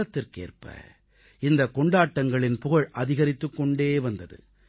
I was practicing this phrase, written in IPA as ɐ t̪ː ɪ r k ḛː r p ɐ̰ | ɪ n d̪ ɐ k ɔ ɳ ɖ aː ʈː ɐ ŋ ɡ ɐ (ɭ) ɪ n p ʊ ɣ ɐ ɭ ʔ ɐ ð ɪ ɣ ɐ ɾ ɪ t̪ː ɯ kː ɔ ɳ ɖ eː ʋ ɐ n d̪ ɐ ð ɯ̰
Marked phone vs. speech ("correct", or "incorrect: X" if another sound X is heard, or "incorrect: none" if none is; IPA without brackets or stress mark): correct